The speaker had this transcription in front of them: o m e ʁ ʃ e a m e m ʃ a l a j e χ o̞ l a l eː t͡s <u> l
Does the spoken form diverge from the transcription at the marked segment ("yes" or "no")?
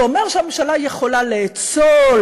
yes